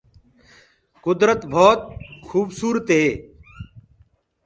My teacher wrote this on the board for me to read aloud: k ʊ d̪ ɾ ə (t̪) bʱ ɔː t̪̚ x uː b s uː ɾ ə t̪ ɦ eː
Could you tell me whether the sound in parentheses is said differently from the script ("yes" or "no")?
no